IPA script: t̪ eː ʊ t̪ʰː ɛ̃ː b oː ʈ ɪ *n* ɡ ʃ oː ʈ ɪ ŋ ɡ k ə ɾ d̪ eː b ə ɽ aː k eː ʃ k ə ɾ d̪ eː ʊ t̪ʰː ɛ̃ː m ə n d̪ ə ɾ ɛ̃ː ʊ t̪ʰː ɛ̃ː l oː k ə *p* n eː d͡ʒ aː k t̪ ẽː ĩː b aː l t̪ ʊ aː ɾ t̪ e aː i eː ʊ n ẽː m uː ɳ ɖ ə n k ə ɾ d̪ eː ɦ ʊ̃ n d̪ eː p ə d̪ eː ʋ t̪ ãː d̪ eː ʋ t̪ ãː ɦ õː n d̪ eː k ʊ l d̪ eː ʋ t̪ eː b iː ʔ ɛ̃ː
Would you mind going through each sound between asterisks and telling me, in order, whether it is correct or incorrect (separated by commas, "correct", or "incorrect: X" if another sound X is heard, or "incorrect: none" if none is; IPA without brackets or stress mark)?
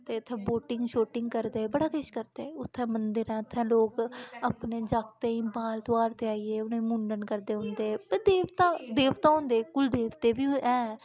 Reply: incorrect: ŋ, correct